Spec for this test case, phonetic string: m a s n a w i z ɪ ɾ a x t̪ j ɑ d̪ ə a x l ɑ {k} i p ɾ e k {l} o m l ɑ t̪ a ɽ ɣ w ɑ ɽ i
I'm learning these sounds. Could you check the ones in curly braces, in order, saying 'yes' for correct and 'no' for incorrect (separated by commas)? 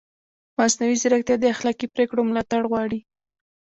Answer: yes, no